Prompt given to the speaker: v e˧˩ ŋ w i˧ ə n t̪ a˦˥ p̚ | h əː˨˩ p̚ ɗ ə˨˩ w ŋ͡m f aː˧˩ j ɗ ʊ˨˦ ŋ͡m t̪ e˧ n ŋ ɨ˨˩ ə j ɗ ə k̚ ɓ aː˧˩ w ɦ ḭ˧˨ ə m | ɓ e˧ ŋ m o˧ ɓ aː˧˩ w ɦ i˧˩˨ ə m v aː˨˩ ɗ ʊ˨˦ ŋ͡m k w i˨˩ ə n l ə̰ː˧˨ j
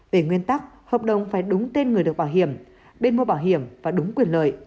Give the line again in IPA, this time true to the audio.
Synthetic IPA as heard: v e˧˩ ŋ w i˧ ə n t̪ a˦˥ k̚ | h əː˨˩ p̚ ɗ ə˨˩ w ŋ͡m f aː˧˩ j ɗ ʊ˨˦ ŋ͡m t̪ e˧ n ŋ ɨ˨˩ ə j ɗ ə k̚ ɓ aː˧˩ w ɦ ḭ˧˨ ə m | ɓ e˧ n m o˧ ɓ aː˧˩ w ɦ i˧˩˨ ə m v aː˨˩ ɗ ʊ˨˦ ŋ͡m k w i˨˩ ə n l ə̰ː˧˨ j

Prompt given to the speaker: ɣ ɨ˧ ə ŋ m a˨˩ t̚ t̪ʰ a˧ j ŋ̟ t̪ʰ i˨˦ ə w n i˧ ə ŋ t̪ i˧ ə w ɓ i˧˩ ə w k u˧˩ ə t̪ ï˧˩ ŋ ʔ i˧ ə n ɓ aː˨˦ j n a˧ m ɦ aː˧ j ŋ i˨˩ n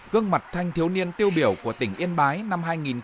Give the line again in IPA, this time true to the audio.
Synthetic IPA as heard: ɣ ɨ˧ ə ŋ m a˨˩ t̚ t̪ʰ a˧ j ŋ̟ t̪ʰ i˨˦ ə w n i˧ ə n t̪ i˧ ə w ɓ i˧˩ ə w k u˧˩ ə t̪ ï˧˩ ŋ ʔ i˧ ə n ɓ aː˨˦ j n a˧ m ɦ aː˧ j ŋ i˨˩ n

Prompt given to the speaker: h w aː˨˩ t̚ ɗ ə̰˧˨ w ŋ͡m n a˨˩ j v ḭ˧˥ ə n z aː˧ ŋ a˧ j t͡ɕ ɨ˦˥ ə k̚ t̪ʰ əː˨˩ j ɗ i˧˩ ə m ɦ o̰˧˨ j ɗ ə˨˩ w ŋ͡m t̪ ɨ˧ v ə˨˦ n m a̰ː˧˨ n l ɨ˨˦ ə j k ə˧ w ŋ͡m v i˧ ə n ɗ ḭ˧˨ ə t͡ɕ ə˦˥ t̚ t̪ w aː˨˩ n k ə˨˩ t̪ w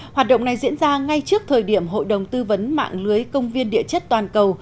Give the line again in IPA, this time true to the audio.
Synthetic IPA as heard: h w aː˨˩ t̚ ɗ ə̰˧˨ w ŋ͡m n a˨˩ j z ḭ˧˥ ə n z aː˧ ŋ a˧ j t͡ɕ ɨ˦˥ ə k̚ t̪ʰ əː˨˩ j ɗ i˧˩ ə m ɦ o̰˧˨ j ɗ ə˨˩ w ŋ͡m t̪ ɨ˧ v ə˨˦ n m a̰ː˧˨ ŋ l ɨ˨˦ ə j k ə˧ w ŋ͡m v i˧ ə n ɗ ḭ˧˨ ə t͡ɕ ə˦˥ t̚ t̪ w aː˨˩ n k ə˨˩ w

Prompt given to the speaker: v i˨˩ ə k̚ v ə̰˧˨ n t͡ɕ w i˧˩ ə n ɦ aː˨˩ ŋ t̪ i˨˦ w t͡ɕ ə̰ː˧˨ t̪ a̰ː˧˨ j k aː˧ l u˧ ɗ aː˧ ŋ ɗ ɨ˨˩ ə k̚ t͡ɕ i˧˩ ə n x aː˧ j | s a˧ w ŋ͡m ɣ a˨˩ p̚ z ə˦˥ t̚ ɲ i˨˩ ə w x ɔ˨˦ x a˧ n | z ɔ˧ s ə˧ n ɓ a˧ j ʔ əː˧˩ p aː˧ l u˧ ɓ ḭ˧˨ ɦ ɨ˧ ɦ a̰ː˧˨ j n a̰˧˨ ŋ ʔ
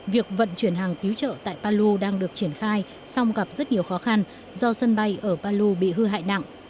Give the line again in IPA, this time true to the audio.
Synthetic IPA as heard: v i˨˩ ə k̚ v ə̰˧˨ n t͡ɕ w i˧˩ ə n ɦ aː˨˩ ŋ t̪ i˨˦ w t͡ɕ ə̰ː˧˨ t̪ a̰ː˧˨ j p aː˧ l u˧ ɗ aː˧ ŋ ɗ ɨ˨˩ ə k̚ t͡ɕ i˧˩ ə n x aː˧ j | s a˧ w ŋ͡m ɣ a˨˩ p̚ z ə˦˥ t̚ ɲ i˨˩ ə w x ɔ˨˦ x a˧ n | z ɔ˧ s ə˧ n ɓ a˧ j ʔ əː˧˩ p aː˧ l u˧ ɓ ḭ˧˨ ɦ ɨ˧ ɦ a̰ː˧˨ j n a̰˧˨ ŋ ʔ

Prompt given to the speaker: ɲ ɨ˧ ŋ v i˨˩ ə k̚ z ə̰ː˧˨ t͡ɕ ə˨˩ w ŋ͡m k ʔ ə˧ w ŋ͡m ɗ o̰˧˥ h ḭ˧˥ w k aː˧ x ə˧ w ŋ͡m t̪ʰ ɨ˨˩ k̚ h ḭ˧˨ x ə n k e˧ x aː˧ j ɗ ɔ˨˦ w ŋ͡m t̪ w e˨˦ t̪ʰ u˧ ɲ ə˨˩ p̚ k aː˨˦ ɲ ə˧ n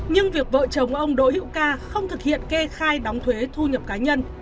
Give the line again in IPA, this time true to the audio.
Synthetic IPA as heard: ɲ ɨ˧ ŋ v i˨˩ ə k̚ v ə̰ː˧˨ t͡ɕ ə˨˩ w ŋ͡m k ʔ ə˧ w ŋ͡m ɗ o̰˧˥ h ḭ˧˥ w k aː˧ x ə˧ w ŋ͡m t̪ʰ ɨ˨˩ k̚ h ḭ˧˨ ə n k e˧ x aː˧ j ɗ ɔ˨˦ w ŋ͡m t̪ʰ w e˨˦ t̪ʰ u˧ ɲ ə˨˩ p̚ k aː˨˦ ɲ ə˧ n

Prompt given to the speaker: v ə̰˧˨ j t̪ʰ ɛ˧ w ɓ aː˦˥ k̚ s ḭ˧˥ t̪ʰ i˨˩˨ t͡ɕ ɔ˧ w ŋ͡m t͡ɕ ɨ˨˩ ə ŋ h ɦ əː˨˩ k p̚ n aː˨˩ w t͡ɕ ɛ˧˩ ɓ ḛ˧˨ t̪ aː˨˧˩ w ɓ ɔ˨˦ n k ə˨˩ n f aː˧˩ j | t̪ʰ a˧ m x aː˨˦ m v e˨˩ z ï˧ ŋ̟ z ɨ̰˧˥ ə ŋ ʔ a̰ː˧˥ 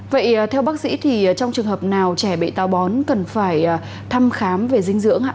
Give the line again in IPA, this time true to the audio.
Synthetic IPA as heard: v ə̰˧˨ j t̪ʰ ɛ˧ w ɓ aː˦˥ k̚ s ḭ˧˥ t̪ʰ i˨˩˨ t͡ɕ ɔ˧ w ŋ͡m t͡ɕ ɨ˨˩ ə ŋ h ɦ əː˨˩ p̚ n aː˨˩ w t͡ɕ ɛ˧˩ ɓ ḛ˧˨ t̪ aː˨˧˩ w ɓ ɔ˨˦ n k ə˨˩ n f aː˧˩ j | t̪ʰ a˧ m x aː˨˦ m v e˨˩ z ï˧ ŋ̟ z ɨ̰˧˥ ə ŋ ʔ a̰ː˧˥

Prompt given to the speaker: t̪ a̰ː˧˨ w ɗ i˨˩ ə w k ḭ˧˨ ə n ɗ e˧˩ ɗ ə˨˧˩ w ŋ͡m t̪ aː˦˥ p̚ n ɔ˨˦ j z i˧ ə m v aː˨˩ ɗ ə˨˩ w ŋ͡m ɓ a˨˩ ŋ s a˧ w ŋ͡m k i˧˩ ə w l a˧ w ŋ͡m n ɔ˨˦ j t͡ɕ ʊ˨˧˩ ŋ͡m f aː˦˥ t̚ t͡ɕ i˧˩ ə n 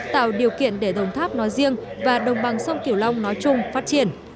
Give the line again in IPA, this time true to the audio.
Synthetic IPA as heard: t̪ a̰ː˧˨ w ɗ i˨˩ ə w k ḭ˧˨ ə n ɗ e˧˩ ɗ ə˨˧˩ w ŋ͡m t̪ʰ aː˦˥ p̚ n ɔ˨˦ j z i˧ ə ŋ v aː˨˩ ɗ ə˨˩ w ŋ͡m ɓ a˨˩ ŋ s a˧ w ŋ͡m k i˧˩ ə w l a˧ w ŋ͡m n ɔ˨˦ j t͡ɕ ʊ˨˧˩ ŋ͡m f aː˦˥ t̚ t͡ɕ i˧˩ ə n

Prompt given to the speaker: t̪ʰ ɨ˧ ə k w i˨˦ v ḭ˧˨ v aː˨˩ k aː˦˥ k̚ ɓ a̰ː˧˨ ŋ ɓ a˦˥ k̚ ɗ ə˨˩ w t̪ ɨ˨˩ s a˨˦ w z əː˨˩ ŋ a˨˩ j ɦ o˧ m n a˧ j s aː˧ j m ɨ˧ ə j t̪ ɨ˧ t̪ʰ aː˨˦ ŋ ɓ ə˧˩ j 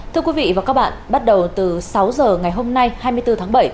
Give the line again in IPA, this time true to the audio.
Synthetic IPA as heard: t̪ʰ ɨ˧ ə k w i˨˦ v ḭ˧˨ v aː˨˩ k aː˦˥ k̚ ɓ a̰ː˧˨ n ɓ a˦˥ t̚ ɗ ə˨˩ w t̪ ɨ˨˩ s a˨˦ w z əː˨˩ ŋ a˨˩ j ɦ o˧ m n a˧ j h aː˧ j m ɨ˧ ə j t̪ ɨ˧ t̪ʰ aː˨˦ ŋ ɓ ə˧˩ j

